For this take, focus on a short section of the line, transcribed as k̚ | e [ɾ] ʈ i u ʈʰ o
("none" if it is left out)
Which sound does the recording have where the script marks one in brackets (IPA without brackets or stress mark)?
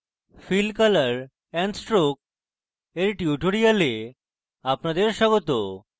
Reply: ɾ